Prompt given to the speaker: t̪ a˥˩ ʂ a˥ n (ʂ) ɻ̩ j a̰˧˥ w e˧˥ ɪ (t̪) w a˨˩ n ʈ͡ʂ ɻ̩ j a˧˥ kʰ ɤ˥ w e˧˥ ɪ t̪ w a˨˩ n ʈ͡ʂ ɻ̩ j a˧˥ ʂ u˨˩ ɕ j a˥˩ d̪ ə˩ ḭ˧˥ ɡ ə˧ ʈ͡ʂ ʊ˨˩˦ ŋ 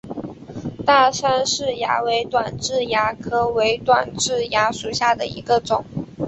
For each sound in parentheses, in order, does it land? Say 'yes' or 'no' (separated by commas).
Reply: yes, yes